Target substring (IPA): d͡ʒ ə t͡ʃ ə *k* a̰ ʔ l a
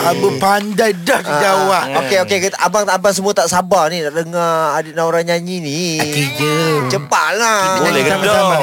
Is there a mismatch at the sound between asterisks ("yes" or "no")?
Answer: yes